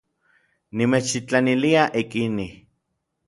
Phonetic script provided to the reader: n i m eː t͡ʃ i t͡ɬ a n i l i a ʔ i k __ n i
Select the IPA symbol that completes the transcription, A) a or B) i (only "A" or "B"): B